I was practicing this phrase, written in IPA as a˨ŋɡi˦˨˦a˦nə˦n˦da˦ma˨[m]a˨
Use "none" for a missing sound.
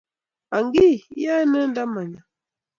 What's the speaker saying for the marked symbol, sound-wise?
ɲ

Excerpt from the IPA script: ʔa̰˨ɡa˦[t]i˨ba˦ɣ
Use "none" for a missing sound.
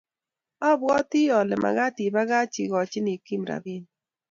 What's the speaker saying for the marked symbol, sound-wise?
t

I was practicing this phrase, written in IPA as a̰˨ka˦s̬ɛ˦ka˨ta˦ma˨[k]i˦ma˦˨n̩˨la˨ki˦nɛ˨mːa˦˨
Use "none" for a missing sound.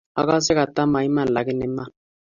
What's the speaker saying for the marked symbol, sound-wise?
none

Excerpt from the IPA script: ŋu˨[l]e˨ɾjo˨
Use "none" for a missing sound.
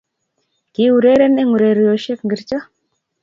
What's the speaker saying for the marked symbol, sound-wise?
ɾ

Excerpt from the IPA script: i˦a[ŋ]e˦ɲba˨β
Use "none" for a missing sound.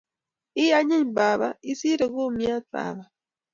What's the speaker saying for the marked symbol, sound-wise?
ɲ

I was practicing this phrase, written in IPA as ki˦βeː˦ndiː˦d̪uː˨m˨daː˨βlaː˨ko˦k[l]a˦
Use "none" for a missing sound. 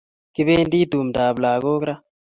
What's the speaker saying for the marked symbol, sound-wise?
ɾ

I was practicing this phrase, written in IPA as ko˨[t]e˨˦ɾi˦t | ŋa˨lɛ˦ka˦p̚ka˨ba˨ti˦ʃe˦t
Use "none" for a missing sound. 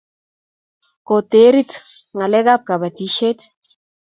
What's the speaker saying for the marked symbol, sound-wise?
t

